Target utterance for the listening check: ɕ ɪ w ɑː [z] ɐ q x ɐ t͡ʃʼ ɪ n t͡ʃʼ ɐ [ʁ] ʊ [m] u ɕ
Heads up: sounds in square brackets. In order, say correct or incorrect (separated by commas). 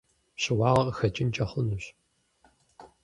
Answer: incorrect, incorrect, incorrect